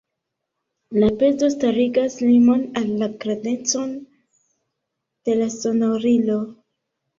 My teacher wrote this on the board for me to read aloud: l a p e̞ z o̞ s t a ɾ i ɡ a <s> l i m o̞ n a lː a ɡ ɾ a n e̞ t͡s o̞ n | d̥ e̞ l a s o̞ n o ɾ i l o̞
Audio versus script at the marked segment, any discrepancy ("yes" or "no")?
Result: no